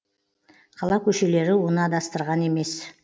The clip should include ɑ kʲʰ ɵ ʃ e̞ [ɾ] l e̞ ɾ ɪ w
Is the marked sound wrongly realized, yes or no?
yes